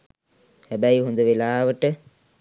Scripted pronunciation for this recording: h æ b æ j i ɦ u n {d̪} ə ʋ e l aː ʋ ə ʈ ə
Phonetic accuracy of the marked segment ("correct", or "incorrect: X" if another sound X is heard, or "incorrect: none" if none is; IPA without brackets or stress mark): correct